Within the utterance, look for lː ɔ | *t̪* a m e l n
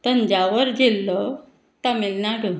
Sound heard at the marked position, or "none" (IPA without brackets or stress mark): t̪